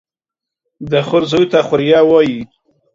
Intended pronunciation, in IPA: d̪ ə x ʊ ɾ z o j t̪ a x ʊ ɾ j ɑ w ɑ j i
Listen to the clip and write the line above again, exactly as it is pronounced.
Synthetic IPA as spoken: d̪ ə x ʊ ɾ z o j t̪ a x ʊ ɾ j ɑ w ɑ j i

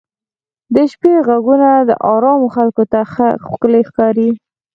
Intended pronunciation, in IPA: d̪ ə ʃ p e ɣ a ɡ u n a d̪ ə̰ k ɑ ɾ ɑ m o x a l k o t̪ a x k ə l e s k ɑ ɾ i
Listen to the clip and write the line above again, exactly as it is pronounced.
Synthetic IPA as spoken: d̪ ə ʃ p e ɣ a ɡ u n a d̪ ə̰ ʔ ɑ ɾ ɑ m o x a l k o t̪ a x k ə l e x k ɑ ɾ i

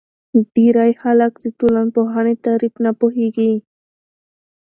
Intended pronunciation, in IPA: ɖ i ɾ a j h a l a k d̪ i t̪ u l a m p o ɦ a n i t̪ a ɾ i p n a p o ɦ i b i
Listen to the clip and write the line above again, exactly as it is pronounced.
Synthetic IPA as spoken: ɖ i ɾ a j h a l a k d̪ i t̪ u l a n p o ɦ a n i t̪ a ɾ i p n a p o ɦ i ɡ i

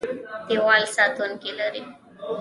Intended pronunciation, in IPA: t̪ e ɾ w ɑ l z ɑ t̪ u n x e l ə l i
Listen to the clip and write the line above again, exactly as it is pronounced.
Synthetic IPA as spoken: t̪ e w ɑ l s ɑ t̪ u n k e l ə ɾ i

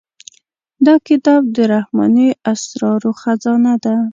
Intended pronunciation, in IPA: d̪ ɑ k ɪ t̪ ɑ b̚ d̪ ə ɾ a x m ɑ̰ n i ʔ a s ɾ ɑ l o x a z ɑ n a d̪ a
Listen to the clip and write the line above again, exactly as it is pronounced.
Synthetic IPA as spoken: d̪ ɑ k ɪ t̪ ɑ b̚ d̪ ə ɾ a h m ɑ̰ n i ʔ a s ɾ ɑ ɾ o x a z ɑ n a d̪ a

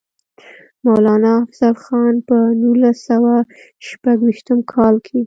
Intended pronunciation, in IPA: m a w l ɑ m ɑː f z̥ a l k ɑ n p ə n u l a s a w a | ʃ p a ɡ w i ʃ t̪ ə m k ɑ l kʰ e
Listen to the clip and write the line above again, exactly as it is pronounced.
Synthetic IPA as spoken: m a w l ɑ n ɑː f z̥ a l x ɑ n p ə n u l a s a w a | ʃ p a ɡ w i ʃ t̪ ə m kʰ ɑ l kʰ e

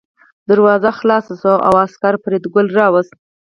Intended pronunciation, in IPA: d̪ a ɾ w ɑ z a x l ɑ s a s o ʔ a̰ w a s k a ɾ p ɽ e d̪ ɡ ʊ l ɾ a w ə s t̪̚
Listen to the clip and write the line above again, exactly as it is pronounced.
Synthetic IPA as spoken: d̪ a ɾ w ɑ z a x l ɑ s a s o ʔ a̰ w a s k a ɾ p ɾ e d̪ ɡ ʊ l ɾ ɑ w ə s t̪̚

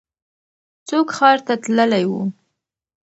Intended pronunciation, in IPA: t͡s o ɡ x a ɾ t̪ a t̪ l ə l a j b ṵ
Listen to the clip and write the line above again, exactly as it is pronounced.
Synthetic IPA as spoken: t͡s o k x ɑ ɾ t̪ a t̪ l ə l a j w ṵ

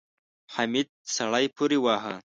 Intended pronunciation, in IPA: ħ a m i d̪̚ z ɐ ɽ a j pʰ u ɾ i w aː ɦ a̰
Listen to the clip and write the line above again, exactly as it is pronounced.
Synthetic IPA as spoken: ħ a m i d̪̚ s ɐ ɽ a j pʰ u ɾ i w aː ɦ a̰

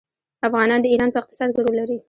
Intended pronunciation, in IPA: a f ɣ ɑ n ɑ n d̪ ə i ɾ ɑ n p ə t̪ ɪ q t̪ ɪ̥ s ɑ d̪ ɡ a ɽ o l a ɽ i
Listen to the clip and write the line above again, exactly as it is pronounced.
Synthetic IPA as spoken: a f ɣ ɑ n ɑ n d̪ ə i ɾ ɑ n p ə ɪ q t̪ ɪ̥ s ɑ d̪ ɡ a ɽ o l a ɾ i

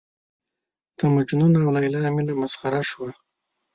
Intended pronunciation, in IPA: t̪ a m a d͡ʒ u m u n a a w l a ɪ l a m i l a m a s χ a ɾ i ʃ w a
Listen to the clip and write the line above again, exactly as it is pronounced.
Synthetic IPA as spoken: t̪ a m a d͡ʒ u n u n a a w l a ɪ l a m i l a m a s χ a ɾ a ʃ w a

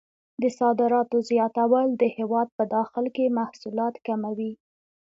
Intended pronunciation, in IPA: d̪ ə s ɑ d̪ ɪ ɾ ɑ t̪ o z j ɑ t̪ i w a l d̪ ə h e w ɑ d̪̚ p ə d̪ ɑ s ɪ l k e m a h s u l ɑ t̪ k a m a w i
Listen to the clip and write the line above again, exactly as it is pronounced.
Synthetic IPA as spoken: d̪ ə s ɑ d̪ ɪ ɾ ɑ t̪ o z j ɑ t̪ a w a l d̪ ə h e w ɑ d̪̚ p ə d̪ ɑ x ɪ l k e m a h s u l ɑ t̪ k a m a w i

